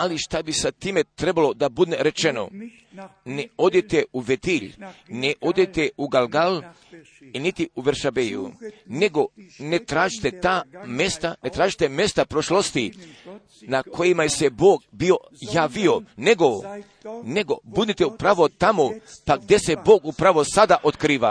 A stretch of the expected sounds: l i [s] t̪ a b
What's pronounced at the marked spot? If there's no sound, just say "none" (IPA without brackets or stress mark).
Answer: ʃ